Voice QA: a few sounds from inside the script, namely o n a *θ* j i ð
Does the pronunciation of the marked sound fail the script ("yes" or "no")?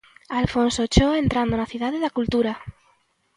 no